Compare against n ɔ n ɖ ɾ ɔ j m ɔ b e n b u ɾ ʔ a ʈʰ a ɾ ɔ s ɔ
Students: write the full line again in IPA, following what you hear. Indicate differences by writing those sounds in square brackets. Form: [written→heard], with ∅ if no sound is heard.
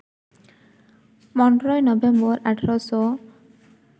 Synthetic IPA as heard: [n→m] ɔ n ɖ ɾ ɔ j [m→n] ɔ b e [n→m] b [u→ɔ] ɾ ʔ a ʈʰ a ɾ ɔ s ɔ